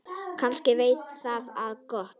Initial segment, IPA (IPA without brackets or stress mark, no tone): kʰ